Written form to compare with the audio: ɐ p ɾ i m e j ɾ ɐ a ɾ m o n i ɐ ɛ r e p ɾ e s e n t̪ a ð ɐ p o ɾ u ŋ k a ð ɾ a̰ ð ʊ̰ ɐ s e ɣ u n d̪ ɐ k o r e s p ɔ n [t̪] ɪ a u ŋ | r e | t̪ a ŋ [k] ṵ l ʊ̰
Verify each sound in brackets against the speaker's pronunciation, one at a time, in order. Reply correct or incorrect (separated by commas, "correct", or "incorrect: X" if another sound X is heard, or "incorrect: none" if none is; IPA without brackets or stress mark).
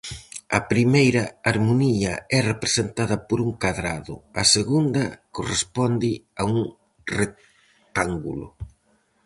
incorrect: d̪, incorrect: ɡ